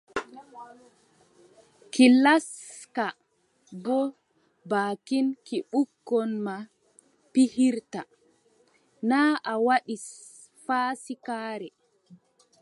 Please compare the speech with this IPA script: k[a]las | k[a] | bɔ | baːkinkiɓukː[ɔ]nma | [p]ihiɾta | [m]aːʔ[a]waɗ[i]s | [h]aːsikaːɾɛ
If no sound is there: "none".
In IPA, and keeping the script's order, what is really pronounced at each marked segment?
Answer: i, a, ɔ, p, n, a, i, f

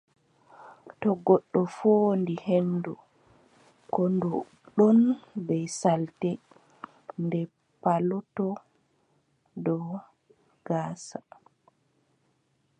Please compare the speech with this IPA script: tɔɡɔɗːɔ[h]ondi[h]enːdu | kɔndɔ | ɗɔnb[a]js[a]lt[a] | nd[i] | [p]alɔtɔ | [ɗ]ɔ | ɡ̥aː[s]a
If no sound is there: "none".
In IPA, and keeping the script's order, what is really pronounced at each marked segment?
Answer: f, h, ɛ, a, ɛ, ɛ, p, d, s

